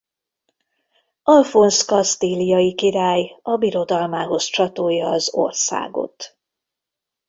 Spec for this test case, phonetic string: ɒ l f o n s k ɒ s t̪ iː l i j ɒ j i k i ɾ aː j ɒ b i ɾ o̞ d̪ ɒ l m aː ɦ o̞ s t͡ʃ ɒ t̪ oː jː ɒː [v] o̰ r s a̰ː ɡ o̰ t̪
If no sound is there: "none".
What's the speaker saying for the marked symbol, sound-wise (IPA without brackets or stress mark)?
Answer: z